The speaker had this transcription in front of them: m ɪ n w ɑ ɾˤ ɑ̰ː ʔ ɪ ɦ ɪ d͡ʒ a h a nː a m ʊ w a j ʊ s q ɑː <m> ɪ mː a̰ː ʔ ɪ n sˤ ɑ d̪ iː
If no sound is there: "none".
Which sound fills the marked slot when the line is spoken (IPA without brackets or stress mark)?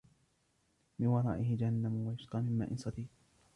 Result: m